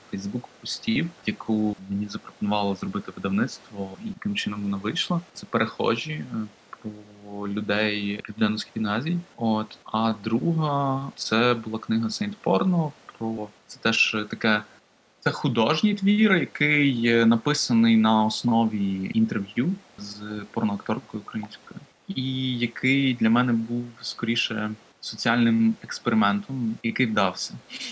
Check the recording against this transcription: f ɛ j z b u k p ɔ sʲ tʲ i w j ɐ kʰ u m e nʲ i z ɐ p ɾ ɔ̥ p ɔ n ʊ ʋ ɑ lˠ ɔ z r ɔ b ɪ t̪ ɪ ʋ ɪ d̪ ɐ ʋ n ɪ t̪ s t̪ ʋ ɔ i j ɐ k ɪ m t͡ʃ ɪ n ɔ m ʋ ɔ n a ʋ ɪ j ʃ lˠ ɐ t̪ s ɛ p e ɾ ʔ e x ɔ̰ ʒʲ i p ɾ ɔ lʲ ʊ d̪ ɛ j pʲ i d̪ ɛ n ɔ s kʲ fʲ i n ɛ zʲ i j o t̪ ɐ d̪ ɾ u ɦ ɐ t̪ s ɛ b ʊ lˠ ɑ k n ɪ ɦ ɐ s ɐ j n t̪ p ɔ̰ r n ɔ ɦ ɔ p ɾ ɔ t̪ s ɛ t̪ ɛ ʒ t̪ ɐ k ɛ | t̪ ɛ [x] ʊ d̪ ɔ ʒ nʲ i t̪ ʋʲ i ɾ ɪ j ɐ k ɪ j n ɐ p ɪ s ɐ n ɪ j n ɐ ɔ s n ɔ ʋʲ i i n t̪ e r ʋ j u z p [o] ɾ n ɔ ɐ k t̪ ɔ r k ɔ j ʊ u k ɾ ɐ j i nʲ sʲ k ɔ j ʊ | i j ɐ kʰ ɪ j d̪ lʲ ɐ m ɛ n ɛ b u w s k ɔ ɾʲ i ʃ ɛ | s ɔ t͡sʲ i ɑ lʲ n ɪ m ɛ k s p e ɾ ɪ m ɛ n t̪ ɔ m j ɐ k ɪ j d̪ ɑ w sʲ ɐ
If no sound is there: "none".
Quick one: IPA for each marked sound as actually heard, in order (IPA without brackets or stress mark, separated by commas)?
x, ɔ